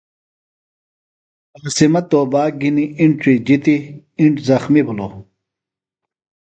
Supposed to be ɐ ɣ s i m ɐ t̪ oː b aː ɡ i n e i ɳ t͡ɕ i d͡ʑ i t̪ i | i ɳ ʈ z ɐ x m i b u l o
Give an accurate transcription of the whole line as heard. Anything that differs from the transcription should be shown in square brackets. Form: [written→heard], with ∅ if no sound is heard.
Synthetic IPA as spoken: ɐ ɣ s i m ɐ t̪ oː b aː ɡ i n [e→i] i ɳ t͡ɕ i d͡ʑ i t̪ i | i ɳ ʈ z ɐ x m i b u l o